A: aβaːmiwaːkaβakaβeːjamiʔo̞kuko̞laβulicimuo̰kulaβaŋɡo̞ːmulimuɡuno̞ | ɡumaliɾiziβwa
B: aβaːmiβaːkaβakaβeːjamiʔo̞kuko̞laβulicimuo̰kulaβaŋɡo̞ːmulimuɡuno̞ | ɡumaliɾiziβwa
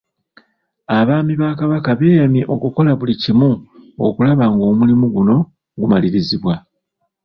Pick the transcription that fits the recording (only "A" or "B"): B